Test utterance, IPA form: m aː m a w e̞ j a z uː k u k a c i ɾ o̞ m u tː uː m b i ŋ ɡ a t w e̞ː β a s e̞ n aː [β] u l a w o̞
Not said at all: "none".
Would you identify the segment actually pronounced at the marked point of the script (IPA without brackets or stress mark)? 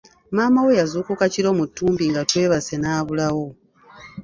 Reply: β